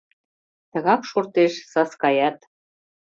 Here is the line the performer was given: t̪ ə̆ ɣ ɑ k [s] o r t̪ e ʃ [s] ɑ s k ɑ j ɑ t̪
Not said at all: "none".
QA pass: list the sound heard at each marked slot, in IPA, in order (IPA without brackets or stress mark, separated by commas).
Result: ʃ, s